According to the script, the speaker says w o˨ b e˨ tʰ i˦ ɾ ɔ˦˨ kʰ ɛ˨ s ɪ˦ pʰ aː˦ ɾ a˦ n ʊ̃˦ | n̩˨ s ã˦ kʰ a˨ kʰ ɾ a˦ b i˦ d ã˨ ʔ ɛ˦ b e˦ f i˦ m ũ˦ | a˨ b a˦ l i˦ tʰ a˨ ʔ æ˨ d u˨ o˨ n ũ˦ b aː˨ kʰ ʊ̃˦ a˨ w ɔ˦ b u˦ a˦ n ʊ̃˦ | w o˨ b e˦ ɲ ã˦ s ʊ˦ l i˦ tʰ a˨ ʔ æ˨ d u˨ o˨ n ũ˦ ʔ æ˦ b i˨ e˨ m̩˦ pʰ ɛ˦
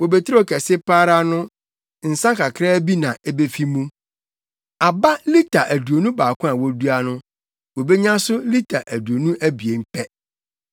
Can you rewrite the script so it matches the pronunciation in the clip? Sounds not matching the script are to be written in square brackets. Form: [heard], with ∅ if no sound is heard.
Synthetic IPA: w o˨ b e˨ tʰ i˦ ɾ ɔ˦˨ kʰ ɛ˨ s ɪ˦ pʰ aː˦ ɾ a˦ n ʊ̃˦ | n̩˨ s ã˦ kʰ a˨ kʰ ɾ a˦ b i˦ [n] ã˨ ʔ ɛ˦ b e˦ f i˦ m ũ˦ | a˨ b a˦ l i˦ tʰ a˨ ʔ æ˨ d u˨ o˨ n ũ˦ b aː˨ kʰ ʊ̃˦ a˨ w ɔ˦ [d] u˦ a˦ n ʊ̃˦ | w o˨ b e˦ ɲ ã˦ s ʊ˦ l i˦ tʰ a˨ ʔ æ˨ d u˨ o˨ n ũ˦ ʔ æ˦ b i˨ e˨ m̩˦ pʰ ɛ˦